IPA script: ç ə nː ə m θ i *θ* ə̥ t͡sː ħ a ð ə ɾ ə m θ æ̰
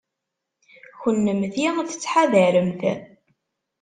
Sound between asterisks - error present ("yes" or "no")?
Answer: no